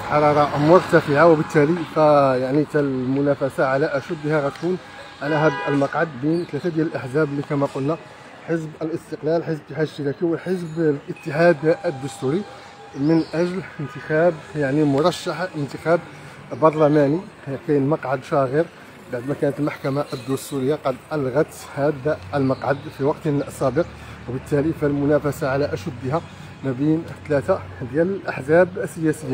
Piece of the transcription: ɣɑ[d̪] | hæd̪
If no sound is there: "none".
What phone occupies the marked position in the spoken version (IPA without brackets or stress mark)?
t̪